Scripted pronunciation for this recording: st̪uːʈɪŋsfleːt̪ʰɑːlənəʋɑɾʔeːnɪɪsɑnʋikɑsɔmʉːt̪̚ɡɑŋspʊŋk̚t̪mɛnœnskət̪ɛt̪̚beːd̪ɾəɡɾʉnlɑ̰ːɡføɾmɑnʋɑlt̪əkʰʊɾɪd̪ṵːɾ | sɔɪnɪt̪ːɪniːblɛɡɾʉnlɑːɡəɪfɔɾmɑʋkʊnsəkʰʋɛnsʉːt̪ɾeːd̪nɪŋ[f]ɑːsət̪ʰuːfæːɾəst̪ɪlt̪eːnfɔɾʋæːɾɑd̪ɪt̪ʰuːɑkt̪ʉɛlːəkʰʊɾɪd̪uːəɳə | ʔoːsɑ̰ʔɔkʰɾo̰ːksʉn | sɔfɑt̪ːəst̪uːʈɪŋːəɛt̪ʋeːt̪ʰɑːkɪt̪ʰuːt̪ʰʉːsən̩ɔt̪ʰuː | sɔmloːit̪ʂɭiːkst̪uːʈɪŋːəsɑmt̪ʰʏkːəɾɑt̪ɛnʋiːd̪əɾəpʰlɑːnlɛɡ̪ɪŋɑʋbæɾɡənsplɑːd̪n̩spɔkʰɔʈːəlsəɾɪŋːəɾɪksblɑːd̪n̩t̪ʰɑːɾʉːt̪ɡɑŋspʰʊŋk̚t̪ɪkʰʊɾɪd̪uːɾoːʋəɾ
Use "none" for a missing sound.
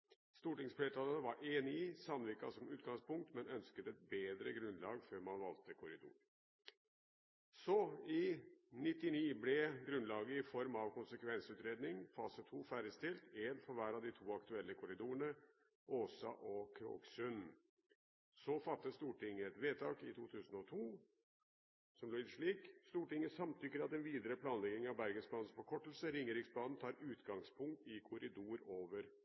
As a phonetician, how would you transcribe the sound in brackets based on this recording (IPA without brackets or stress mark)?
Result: f